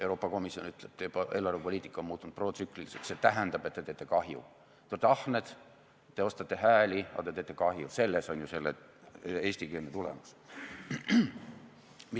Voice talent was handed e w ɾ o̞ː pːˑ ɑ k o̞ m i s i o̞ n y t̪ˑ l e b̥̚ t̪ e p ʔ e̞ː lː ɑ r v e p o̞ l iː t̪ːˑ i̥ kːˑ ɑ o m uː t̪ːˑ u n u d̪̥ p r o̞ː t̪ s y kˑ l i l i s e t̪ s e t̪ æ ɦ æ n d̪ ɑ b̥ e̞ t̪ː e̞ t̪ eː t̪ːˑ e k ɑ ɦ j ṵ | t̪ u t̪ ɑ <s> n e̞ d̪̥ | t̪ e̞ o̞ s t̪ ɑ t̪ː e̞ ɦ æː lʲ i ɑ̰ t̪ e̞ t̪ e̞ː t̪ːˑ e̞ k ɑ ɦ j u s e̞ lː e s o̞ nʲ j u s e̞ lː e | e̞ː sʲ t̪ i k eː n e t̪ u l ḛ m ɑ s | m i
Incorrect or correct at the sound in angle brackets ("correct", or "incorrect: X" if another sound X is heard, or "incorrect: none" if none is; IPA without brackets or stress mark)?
incorrect: h